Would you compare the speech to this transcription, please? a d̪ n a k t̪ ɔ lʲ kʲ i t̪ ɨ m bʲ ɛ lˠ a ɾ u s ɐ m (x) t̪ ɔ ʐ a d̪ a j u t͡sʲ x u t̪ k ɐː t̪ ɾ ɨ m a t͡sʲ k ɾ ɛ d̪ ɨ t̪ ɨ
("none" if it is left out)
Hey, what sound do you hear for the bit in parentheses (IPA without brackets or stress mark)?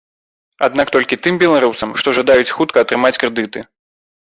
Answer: ʂ